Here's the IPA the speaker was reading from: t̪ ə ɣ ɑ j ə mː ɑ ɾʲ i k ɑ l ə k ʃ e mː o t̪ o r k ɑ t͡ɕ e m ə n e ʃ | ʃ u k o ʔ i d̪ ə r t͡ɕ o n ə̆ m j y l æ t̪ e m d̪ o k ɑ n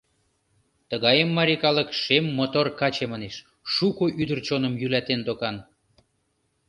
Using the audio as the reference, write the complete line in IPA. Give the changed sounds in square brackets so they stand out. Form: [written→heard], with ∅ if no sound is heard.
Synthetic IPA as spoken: t̪ ə ɣ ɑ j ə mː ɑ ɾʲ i k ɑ l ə k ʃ e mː o t̪ o r k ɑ t͡ɕ e m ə n e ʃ | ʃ u k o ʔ [i→y] d̪ ə r t͡ɕ o n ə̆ m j y l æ t̪ e [m→n] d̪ o k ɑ n